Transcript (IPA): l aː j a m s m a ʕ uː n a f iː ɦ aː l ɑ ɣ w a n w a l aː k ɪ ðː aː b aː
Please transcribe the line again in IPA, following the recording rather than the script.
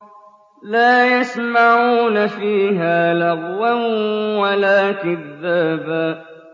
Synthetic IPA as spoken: l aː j a s m a ʕ uː n a f iː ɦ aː l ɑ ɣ w a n w a l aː k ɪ ðː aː b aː